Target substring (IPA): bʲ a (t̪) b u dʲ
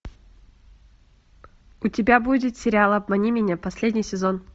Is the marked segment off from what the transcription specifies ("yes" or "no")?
yes